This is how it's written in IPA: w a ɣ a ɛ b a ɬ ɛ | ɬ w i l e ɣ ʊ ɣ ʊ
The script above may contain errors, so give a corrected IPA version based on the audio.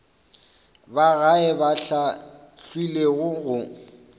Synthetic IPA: b a ɣ a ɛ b a ɬ a | ɬ w i l e ɣ ʊ ɣ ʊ